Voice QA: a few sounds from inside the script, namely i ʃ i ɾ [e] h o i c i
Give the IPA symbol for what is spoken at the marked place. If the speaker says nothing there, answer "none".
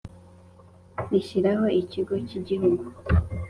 a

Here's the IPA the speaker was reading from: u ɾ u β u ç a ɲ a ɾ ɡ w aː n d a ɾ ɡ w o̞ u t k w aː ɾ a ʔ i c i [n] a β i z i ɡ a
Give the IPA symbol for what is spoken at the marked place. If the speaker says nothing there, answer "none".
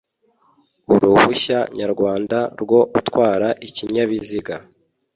ɲ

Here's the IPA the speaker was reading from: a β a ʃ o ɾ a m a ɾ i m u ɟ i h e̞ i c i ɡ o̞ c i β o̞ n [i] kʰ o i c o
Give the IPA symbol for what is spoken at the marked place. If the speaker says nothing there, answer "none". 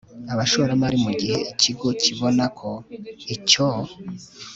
a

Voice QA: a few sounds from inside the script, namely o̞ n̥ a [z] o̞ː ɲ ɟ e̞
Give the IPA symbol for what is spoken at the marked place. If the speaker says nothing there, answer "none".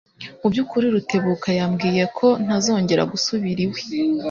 z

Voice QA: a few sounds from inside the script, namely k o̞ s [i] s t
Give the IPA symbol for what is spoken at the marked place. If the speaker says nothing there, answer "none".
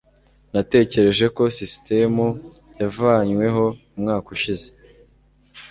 i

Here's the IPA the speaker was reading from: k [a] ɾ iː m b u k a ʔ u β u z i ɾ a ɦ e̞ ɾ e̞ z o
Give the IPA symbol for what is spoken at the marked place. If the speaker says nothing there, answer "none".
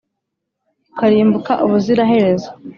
a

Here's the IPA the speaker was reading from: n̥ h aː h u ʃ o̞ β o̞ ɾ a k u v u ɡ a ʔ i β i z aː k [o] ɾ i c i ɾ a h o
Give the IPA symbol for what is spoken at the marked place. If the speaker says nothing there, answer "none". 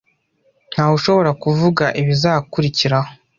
u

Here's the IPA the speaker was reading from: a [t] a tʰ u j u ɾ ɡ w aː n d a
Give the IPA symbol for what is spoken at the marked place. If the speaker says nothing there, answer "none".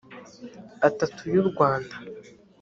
t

